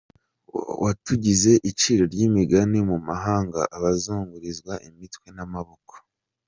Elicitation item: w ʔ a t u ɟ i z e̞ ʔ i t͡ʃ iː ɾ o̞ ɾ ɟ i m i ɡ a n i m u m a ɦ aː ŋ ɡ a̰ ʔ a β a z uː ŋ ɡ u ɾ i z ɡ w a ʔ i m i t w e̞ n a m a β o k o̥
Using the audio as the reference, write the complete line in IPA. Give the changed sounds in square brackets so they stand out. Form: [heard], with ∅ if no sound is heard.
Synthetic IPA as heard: w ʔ a t u ɟ i z e̞ ʔ i t͡ʃ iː ɾ o̞ ɾ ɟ i m i ɡ a n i m u m a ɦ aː ŋ ɡ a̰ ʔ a β a z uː ŋ ɡ u ɾ i z ɡ w a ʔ i m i t w e̞ n a m a β o k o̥